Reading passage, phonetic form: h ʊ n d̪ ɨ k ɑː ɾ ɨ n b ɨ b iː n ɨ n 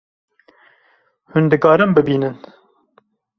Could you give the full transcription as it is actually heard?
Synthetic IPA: h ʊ n d̪ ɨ k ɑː ɾ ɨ m b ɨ b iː n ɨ n